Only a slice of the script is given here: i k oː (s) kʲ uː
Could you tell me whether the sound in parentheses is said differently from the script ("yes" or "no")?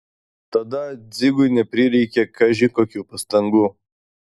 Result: yes